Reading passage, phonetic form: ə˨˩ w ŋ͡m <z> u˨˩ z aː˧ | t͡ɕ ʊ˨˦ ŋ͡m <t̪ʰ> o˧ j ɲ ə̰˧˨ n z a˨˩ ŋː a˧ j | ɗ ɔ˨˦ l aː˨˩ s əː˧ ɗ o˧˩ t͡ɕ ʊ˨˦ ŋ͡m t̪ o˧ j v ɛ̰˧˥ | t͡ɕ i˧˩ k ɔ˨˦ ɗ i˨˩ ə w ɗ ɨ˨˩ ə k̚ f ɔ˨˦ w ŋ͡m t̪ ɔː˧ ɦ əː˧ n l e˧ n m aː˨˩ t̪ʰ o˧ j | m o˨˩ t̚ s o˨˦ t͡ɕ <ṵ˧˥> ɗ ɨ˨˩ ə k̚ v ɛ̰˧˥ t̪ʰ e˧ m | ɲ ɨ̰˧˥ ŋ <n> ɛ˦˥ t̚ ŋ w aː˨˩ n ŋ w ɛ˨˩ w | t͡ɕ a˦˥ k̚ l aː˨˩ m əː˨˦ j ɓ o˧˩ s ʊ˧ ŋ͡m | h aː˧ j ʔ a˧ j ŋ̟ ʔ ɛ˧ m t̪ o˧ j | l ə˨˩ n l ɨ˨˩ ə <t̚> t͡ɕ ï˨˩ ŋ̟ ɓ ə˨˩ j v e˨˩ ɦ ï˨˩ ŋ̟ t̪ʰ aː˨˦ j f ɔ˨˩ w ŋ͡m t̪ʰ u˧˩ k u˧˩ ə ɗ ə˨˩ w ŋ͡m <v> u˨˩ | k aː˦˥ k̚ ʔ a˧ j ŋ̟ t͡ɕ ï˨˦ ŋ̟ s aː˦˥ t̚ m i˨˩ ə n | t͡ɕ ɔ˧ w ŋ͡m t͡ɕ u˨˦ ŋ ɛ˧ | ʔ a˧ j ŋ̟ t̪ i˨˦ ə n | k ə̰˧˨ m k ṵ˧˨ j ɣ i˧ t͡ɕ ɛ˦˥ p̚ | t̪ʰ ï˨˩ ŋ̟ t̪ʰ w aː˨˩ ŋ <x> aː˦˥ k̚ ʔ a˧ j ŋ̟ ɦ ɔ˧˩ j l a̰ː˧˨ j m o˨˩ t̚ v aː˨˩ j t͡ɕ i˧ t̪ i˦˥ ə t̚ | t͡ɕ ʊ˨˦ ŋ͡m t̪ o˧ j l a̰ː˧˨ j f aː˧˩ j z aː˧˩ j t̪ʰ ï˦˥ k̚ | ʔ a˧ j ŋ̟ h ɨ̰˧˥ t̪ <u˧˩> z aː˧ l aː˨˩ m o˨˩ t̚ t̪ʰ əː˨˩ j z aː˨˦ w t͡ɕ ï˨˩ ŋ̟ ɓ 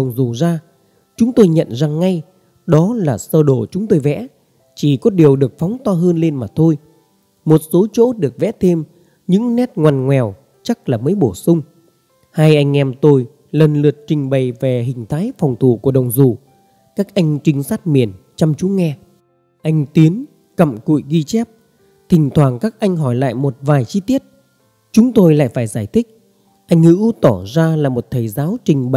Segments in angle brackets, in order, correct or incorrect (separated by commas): correct, incorrect, incorrect, correct, correct, incorrect, incorrect, incorrect